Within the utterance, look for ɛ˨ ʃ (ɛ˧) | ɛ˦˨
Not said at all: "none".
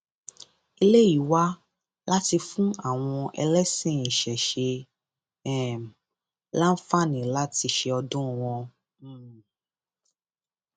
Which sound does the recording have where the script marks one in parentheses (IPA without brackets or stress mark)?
e˧